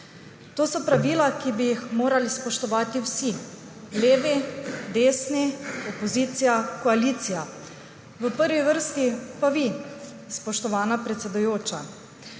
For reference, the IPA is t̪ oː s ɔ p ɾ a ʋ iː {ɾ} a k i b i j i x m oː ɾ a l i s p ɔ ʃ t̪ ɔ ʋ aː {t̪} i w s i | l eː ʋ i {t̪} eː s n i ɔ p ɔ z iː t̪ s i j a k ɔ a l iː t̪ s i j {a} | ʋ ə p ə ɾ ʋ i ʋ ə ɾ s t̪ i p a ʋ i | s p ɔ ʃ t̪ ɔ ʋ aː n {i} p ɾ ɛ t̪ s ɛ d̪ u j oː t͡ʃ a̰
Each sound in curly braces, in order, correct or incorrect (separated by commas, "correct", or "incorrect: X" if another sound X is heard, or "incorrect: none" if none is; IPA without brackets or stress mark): incorrect: l, correct, incorrect: d̪, correct, incorrect: a